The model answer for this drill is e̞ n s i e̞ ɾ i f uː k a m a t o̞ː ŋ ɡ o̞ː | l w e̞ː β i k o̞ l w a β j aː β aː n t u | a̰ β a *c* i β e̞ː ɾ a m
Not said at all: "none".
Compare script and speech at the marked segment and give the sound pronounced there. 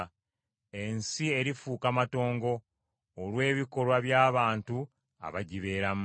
ɟ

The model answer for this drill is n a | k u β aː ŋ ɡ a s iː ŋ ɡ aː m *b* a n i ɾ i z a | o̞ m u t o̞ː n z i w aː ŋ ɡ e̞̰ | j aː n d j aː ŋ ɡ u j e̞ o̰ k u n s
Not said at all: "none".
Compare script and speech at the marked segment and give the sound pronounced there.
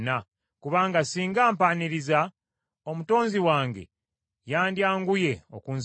p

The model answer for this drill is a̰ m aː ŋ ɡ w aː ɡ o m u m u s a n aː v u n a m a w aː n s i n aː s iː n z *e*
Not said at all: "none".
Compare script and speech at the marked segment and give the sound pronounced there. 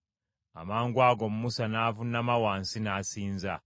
a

